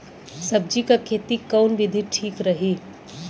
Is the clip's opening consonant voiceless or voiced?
voiceless